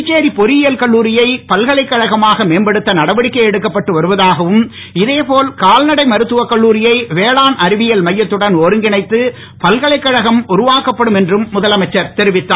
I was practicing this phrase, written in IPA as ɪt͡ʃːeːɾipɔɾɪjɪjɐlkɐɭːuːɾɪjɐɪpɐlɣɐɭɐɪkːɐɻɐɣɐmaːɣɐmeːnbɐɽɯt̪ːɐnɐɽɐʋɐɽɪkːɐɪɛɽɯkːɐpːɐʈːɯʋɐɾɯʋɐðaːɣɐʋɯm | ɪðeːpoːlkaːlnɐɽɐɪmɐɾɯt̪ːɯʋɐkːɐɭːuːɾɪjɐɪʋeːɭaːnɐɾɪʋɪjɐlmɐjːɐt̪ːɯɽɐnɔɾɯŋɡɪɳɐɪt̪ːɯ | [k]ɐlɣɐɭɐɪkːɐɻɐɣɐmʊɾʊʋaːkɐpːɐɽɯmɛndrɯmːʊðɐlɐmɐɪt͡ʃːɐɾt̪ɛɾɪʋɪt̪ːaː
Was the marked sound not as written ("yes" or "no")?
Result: yes